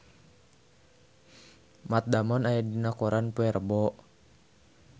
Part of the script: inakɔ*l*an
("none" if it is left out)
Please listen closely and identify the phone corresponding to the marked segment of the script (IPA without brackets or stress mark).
ɾ